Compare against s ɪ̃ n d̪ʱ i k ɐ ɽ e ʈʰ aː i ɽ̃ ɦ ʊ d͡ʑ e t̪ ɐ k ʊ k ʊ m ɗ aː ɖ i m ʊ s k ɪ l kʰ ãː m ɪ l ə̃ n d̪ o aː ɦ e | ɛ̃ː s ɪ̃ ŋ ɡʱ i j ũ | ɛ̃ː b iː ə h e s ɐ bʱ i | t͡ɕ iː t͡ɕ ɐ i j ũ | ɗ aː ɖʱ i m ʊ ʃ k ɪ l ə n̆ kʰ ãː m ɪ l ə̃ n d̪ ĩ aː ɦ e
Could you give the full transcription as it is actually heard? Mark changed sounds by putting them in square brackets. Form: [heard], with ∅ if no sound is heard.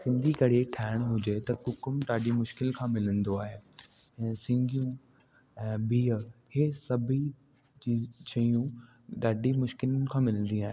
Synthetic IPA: s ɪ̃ n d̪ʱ i k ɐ ɽ e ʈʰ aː [ɪ] ɽ̃ ɦ ʊ d͡ʑ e t̪ ɐ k ʊ k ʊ m ɗ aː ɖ i m ʊ [ʃ] k ɪ l kʰ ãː m ɪ l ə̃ n d̪ o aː ɦ e | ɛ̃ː s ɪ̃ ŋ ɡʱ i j ũ | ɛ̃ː b iː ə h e s ɐ bʱ i | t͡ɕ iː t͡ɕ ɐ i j ũ | ɗ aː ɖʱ i m ʊ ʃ k ɪ l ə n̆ kʰ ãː m ɪ l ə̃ n d̪ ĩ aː ɦ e

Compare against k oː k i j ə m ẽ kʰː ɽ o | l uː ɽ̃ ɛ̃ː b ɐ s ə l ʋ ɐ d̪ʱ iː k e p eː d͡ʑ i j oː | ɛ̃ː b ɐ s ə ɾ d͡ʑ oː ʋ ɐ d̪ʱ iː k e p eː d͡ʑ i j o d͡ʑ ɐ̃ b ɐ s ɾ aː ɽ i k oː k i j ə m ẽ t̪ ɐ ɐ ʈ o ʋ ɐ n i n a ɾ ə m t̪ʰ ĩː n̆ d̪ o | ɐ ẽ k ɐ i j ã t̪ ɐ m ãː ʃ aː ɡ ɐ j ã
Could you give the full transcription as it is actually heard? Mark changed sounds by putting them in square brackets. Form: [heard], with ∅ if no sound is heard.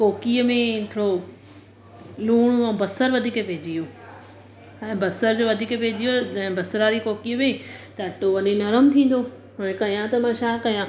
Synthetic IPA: k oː k i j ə m ẽ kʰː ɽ o | l uː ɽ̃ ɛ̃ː b ɐ s ə [ɾ] ʋ ɐ d̪ʱ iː k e p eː d͡ʑ i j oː | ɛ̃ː b ɐ s ə ɾ d͡ʑ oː ʋ ɐ d̪ʱ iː k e p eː d͡ʑ i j o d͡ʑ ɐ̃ b ɐ s ɾ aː [ɾ] i k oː k i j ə m ẽ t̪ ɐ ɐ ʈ o ʋ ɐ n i n [ɐ] ɾ ə m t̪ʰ ĩː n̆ d̪ o | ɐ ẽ k ɐ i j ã t̪ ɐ m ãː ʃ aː [k] ɐ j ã

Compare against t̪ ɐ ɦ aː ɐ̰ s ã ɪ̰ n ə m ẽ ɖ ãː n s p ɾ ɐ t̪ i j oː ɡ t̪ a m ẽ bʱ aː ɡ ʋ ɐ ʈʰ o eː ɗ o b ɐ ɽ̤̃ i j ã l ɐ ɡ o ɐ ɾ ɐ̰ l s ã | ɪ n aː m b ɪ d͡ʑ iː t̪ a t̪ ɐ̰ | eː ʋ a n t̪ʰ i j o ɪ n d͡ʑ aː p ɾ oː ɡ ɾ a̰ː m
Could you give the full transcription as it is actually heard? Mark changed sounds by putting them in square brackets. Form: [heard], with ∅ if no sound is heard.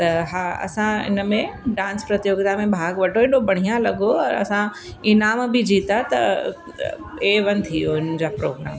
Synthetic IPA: t̪ ɐ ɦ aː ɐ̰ s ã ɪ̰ n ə m ẽ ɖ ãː n s p ɾ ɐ t̪ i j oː ɡ t̪ a m ẽ bʱ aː ɡ ʋ ɐ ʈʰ o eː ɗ o b ɐ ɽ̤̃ i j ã l ɐ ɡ o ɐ ɾ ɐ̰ [∅] s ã | ɪ n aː m b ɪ d͡ʑ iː t̪ a t̪ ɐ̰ | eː ʋ [ɐ] n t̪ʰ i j o ɪ n d͡ʑ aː p ɾ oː ɡ ɾ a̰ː m

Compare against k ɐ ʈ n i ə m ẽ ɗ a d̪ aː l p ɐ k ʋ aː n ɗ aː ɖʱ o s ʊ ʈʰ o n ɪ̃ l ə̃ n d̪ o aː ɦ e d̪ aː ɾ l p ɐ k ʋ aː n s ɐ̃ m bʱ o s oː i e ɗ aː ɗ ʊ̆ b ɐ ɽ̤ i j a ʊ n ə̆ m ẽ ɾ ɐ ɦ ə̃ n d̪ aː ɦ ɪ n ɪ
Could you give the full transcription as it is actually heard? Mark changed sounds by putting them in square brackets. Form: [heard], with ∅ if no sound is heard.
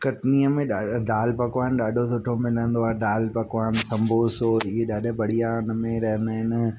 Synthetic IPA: k ɐ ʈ n i ə m ẽ ɗ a d̪ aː l p ɐ k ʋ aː n ɗ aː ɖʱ o s ʊ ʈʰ o [m] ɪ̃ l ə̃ n d̪ o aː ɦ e d̪ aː [∅] l p ɐ k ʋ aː n s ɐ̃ m bʱ o s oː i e ɗ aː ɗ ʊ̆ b ɐ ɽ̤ i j a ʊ n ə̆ m ẽ ɾ ɐ ɦ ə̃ n d̪ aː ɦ ɪ n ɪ

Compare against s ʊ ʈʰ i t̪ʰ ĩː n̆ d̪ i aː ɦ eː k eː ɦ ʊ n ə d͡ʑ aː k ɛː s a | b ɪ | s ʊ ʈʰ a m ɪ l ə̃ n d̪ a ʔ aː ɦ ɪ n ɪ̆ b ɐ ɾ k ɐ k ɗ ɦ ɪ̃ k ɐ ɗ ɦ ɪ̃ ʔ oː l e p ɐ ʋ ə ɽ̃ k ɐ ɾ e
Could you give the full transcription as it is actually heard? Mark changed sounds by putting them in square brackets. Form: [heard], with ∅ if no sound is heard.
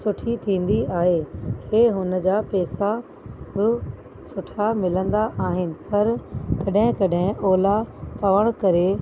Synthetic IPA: s ʊ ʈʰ i t̪ʰ ĩː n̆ d̪ i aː ɦ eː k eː ɦ ʊ n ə d͡ʑ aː [p] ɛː s a | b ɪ | s ʊ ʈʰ a m ɪ l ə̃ n d̪ a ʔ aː ɦ ɪ n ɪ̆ [p] ɐ ɾ k ɐ [∅] ɗ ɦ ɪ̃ k ɐ ɗ ɦ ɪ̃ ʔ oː l [a] p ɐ ʋ ə ɽ̃ k ɐ ɾ e

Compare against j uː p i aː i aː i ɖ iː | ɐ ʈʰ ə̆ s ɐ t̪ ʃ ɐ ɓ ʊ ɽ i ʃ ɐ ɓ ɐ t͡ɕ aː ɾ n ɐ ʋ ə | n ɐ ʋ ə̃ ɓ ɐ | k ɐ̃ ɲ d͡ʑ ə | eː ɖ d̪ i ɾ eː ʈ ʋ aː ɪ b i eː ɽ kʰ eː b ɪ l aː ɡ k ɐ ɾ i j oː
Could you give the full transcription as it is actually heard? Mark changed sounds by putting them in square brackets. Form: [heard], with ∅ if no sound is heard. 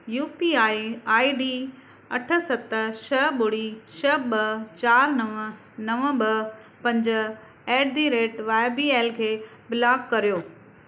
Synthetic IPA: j uː p i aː i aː i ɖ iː | ɐ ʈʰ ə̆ s ɐ t̪ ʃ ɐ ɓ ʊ ɽ i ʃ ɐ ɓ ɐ t͡ɕ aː ɾ n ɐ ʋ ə | n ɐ ʋ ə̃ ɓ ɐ | [p] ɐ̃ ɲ d͡ʑ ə | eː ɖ d̪ i ɾ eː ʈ ʋ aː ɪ b i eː [l] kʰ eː b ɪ l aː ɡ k ɐ ɾ i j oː

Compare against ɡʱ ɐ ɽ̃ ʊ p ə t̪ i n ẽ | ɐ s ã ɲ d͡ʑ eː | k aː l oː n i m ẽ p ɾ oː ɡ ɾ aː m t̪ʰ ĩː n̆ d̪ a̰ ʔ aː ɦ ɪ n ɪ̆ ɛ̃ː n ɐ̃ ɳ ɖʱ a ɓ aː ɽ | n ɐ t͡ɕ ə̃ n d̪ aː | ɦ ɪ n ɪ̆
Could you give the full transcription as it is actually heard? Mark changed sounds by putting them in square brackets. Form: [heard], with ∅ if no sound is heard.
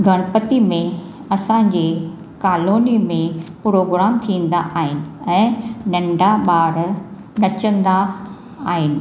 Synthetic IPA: ɡʱ ɐ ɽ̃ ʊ p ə t̪ i [m] ẽ | ɐ s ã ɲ d͡ʑ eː | k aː l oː n i m ẽ p ɾ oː ɡ ɾ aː m t̪ʰ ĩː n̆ d̪ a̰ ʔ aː ɦ ɪ n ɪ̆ ɛ̃ː n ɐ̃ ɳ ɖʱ a ɓ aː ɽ | n ɐ t͡ɕ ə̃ n d̪ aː | ɦ ɪ n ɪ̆

